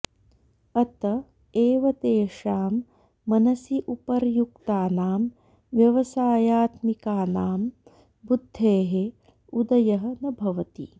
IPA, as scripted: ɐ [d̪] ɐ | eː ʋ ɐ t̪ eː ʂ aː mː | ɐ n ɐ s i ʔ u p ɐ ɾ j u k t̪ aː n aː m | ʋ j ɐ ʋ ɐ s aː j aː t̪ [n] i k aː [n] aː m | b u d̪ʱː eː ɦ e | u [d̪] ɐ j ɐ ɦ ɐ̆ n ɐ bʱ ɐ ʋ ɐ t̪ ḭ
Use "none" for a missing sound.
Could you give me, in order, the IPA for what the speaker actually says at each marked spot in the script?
t̪, m, n, d̪

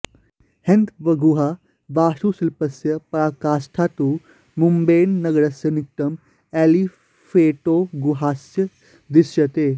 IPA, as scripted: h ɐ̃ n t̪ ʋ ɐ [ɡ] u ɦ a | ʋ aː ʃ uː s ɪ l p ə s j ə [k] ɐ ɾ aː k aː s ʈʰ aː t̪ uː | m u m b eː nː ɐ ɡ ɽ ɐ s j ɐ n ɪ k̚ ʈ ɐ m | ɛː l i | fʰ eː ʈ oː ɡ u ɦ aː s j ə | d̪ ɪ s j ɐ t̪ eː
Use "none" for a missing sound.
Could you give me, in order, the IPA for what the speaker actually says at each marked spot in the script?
ɡ, p

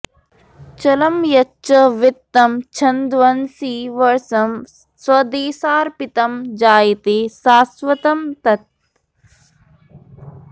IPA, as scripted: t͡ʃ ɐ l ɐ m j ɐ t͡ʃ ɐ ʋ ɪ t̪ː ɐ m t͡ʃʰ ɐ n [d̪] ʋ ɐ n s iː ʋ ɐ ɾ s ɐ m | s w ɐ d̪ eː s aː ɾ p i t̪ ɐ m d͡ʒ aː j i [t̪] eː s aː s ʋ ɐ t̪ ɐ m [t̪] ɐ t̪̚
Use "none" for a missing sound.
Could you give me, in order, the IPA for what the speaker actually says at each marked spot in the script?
d̪, t̪, t̪

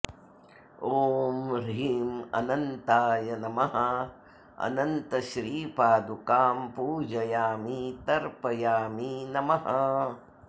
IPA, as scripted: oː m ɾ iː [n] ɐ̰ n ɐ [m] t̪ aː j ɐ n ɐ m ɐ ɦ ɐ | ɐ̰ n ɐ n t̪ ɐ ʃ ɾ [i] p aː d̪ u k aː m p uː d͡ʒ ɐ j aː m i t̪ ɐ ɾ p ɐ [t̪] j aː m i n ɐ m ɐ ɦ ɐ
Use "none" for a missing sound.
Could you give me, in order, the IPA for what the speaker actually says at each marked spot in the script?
m, n, iː, none

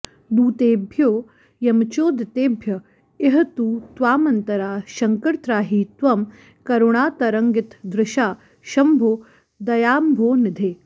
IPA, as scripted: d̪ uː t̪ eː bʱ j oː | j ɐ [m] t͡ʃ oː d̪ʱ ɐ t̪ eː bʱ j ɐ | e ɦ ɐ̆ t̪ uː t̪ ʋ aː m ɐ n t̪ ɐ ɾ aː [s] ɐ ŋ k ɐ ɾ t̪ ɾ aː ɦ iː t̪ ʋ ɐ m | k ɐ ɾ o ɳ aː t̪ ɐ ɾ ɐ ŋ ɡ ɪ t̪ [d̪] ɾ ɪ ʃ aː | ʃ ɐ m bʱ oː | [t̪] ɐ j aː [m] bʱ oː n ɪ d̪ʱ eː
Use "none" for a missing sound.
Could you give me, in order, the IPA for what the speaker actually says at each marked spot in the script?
m, ʃ, d̪, d̪, m

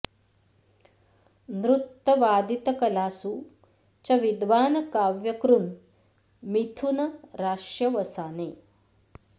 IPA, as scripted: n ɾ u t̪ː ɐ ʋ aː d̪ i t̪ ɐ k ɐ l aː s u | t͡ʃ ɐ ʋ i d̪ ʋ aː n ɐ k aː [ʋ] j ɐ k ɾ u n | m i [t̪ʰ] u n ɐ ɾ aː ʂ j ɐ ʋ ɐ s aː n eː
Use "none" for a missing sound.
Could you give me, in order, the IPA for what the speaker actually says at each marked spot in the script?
ʋ, t̪ʰ

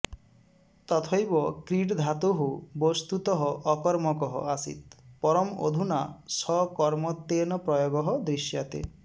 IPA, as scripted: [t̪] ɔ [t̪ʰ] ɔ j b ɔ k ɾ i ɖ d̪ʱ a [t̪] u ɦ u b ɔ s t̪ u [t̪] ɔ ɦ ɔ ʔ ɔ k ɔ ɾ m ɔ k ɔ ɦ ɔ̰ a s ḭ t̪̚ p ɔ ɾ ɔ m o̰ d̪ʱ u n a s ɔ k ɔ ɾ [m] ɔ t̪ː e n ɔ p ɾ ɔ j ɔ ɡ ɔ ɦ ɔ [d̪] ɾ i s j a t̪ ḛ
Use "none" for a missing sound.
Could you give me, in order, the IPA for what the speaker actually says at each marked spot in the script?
t̪, t̪ʰ, t̪, t̪, m, d̪

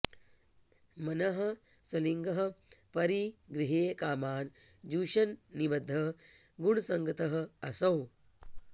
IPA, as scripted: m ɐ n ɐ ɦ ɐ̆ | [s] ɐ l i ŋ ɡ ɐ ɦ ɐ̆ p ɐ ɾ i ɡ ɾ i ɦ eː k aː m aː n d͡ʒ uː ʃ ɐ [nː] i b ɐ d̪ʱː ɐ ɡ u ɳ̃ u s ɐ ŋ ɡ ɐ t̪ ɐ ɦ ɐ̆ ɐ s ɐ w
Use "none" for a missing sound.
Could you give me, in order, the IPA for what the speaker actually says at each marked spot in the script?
s, nː

